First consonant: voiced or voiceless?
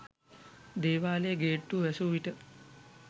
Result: voiced